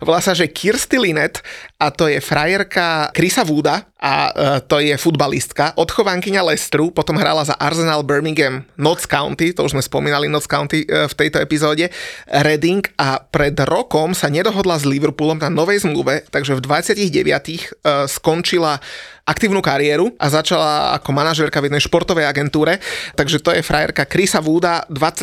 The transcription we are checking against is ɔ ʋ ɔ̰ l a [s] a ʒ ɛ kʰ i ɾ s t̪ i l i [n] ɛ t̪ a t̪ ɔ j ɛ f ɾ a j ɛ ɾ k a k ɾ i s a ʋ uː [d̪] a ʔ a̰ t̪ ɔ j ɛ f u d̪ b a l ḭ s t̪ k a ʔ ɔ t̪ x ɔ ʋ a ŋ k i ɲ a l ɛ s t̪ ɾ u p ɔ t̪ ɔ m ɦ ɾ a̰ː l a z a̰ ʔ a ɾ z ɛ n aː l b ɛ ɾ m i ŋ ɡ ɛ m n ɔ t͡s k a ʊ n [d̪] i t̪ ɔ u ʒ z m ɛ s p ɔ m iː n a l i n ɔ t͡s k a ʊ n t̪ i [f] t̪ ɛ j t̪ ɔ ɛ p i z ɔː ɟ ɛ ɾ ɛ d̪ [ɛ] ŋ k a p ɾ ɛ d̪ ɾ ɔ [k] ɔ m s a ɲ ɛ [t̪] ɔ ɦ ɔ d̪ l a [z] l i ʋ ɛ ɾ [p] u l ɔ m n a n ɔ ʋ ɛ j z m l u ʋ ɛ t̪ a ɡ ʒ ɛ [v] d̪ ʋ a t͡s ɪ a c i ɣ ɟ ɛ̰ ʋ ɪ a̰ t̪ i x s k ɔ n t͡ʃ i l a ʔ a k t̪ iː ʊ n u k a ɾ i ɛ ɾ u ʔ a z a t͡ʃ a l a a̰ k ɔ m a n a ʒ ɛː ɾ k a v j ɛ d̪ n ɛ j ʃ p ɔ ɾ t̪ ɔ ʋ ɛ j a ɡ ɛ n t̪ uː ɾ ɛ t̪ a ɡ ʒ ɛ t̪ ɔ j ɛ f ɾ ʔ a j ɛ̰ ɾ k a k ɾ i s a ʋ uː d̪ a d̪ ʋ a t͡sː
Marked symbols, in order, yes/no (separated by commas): yes, yes, yes, no, yes, no, yes, no, yes, yes, yes